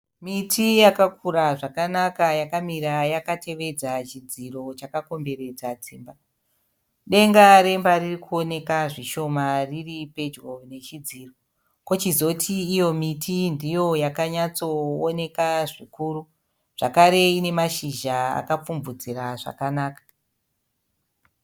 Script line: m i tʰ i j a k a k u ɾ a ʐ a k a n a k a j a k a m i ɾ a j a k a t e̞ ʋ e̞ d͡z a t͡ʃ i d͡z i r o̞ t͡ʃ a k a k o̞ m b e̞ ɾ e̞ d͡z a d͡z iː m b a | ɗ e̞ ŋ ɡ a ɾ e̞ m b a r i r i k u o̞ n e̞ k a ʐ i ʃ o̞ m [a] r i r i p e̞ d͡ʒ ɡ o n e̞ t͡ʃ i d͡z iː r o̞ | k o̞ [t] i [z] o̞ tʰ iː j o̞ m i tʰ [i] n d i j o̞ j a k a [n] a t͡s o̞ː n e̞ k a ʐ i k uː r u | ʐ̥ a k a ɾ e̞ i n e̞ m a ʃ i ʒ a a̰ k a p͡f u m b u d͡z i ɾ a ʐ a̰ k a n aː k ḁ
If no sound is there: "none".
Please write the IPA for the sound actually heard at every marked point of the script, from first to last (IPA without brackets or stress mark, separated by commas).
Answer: a, t͡ʃ, z, i, ɲ